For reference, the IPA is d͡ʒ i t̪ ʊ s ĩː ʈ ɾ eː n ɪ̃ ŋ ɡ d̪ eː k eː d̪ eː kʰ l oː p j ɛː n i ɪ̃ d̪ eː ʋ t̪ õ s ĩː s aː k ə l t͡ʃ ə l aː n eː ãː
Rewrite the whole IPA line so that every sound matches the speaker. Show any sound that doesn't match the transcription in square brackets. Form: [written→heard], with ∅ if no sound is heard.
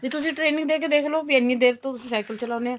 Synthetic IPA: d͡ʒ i t̪ ʊ s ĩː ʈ ɾ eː n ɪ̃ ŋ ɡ d̪ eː k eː d̪ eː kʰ l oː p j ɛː n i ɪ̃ d̪ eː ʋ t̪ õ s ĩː s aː k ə l t͡ʃ ə l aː n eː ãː